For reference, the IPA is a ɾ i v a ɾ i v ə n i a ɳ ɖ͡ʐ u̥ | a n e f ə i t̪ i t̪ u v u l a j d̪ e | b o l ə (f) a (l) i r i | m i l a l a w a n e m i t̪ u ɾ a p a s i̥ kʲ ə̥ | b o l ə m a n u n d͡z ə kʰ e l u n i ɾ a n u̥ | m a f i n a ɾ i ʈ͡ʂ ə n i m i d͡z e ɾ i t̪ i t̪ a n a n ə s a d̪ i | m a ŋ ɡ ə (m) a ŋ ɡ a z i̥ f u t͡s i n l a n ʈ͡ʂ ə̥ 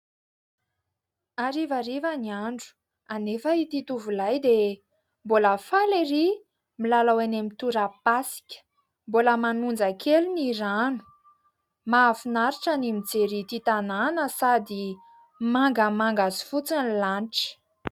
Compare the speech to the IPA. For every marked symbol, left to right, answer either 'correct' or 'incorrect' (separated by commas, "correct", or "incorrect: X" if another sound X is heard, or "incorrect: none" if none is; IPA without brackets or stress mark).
correct, correct, correct